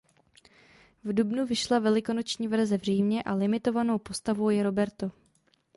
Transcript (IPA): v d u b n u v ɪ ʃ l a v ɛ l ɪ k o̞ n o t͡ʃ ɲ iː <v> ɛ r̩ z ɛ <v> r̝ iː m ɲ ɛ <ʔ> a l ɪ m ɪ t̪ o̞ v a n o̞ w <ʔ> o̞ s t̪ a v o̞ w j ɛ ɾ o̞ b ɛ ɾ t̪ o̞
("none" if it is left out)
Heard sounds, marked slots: v, v, ʔ, p

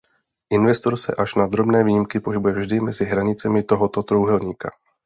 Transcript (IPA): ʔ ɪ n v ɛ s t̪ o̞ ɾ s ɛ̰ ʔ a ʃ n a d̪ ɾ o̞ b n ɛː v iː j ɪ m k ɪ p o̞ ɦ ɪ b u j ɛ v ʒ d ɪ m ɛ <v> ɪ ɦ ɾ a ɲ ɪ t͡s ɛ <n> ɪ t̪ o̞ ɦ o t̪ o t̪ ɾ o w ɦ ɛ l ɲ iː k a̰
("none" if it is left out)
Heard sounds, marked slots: z, m

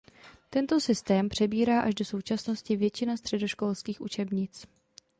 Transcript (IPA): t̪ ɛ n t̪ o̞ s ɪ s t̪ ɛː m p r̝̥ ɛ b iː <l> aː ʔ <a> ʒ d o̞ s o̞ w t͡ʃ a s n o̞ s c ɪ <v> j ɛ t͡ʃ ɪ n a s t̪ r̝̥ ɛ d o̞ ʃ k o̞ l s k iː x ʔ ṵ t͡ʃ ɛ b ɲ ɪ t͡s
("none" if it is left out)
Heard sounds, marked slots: ɾ, a, v

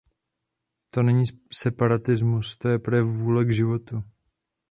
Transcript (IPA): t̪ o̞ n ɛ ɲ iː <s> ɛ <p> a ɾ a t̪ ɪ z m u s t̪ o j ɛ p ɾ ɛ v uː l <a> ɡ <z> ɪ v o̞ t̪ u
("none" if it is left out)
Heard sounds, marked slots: s, p, ɛ, ʒ

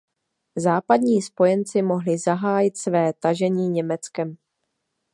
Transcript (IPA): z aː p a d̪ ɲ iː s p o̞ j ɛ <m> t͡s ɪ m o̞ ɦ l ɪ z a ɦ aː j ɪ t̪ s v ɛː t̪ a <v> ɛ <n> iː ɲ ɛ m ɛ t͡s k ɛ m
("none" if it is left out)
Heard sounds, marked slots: n, ʒ, ɲ

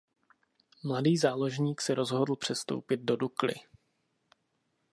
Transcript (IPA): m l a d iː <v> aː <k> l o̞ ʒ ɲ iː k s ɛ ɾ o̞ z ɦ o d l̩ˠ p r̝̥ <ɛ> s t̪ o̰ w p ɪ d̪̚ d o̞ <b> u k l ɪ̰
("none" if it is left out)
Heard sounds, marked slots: z, none, ɛ, d

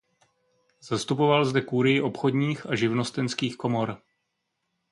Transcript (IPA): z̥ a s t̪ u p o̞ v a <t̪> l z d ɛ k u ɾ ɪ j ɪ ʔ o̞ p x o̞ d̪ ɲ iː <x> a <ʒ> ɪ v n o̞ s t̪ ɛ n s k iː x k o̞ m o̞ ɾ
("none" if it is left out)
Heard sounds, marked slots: none, x, ʒ

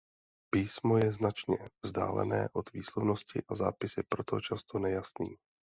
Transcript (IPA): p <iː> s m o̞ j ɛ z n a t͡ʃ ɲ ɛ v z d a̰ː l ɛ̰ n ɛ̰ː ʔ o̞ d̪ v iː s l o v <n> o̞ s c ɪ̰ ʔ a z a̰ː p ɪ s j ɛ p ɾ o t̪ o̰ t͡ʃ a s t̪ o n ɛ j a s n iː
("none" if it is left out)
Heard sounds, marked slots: iː, n

